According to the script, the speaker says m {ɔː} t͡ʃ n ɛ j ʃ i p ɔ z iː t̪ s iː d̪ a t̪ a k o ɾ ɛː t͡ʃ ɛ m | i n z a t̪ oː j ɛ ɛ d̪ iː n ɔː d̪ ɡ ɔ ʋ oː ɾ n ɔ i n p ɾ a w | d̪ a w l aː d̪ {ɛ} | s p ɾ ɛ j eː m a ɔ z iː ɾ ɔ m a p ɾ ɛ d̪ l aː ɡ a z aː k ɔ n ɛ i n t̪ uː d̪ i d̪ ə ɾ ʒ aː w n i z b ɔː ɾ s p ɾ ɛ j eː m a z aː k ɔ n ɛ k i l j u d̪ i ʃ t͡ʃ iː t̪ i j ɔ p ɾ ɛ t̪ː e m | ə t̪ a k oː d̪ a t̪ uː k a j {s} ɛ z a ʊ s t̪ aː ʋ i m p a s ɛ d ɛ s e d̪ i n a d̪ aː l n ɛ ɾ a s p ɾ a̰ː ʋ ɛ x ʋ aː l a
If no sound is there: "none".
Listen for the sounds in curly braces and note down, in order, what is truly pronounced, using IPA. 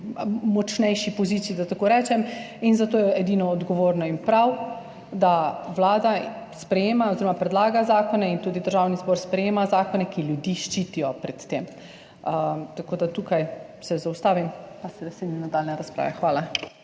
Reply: ɔ, a, s

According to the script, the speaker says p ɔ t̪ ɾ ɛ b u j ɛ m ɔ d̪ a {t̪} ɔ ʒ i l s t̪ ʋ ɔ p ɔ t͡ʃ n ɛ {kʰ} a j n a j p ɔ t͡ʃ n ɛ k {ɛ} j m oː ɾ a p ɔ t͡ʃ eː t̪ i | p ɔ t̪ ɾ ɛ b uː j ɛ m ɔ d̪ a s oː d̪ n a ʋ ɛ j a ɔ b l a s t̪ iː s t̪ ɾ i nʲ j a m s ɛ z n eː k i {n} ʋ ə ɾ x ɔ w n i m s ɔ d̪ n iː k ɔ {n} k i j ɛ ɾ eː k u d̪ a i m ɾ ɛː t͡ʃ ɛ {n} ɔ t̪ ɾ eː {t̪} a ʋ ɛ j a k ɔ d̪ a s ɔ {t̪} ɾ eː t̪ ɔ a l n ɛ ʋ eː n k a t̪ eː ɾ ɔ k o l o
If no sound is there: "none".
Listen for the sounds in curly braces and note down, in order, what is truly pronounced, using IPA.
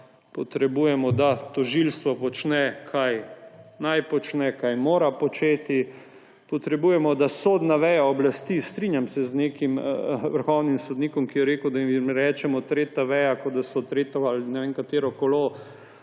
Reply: t̪, kʰ, a, m, m, m, t̪, t̪

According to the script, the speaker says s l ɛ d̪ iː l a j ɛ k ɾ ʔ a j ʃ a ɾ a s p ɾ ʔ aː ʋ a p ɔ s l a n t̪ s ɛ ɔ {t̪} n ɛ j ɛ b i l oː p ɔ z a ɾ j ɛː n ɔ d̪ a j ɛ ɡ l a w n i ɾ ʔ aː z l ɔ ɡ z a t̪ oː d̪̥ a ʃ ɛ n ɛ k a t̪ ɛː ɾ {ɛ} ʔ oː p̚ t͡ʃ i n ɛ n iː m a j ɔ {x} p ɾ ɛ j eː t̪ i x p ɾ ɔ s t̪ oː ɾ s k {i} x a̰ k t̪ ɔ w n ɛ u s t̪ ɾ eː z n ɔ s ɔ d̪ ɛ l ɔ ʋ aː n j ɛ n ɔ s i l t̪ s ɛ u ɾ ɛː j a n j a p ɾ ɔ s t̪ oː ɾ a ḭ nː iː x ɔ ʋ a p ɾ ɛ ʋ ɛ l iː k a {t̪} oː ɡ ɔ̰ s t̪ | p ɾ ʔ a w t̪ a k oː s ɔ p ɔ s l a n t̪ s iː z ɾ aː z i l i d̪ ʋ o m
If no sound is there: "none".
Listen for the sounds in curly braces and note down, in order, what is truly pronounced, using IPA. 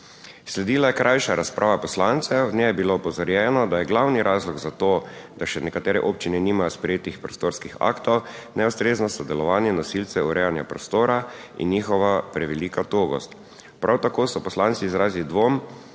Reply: d̪, ɛ, s, i, t̪

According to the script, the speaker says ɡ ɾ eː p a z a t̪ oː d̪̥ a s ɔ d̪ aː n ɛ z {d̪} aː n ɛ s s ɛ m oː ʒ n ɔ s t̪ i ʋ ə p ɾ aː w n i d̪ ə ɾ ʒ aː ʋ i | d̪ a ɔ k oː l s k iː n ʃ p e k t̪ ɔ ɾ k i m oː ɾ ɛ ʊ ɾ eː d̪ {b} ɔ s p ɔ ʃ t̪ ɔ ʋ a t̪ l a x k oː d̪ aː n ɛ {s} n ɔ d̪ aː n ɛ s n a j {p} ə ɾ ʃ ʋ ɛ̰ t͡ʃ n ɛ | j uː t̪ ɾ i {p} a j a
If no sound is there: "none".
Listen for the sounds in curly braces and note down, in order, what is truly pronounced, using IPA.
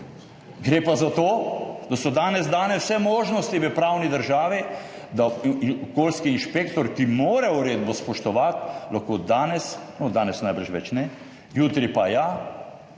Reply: d̪, b, s, b, p

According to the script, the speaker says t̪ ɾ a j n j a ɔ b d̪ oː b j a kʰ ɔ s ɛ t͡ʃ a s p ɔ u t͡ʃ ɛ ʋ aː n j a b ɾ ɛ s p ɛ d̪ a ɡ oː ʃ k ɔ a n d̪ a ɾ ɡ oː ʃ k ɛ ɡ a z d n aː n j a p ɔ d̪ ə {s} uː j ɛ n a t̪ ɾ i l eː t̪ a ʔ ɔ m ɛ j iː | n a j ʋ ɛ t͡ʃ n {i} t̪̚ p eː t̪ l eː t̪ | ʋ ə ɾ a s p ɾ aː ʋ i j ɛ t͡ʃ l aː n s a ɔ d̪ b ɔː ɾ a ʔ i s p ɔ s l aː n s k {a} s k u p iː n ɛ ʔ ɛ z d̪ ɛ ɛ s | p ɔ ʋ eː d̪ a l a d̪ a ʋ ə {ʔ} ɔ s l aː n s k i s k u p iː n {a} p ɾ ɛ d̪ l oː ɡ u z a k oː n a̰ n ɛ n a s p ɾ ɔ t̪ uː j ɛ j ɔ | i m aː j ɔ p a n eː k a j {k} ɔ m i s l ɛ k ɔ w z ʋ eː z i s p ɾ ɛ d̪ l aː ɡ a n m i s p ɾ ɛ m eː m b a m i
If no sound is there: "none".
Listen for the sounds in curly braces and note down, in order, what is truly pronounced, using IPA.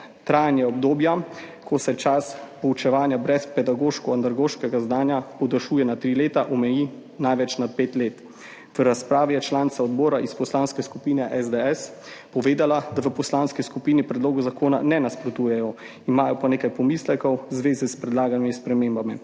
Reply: ʃ, a, ɛ, p, i, p

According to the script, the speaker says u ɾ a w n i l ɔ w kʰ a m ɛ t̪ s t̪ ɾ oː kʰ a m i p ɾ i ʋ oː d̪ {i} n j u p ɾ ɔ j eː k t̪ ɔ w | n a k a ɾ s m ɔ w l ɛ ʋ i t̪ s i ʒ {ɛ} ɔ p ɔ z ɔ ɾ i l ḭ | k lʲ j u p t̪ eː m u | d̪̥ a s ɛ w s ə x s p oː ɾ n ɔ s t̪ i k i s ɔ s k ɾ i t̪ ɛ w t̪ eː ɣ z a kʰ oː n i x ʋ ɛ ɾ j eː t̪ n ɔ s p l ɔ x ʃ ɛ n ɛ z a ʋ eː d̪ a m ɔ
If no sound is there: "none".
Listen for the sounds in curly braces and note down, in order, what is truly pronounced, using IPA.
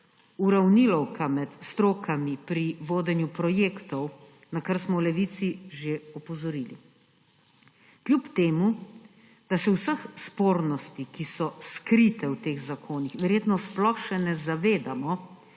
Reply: ɛ, e

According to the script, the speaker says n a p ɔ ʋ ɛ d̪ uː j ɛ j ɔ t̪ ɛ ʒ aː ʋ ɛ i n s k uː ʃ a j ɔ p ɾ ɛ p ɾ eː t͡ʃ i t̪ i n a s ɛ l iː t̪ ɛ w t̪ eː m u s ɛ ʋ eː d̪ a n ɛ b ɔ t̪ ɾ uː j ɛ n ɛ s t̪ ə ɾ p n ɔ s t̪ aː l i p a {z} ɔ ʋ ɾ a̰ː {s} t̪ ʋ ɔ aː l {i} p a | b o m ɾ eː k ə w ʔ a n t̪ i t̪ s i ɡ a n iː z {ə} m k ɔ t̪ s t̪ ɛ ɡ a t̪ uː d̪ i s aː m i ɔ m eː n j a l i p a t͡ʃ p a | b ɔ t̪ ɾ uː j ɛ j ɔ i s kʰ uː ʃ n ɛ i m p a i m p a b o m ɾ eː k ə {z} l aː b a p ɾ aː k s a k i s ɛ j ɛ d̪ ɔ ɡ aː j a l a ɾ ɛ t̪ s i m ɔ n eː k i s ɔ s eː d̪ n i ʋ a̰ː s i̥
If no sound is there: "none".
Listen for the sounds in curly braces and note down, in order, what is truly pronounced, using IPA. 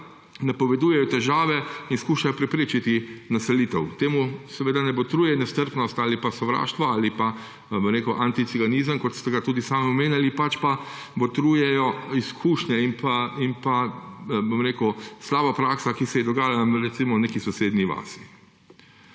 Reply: s, ʃ, i, ə, s

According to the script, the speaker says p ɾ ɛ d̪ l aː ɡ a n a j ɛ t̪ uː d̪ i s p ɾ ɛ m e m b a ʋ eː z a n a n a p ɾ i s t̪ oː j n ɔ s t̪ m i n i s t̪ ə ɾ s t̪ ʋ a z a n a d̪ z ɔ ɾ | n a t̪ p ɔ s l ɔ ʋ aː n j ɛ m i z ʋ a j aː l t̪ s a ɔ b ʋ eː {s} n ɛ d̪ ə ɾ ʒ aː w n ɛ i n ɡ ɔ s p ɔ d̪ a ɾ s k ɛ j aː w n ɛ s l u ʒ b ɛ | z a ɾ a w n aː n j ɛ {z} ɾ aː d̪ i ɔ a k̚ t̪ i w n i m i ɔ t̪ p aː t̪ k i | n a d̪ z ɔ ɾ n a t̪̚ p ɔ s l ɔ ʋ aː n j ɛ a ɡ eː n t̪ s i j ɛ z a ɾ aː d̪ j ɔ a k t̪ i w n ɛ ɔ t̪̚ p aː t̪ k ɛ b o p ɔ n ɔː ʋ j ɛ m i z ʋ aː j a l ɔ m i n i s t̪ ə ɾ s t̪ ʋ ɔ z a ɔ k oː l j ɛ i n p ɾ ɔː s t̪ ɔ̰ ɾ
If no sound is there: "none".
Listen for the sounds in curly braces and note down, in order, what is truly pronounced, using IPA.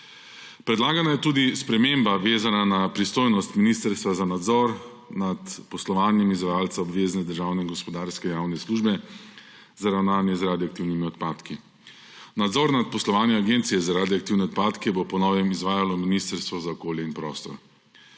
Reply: z, z

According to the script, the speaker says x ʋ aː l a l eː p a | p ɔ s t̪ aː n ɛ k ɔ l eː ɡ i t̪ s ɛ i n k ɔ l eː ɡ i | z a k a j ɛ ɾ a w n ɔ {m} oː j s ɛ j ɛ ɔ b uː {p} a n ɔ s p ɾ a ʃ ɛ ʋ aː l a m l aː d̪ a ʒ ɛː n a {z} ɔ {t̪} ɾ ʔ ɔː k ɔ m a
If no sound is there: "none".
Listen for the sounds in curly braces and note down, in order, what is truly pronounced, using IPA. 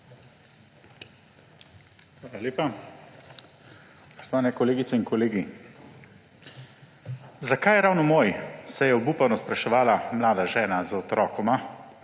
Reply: m, p, z, t̪

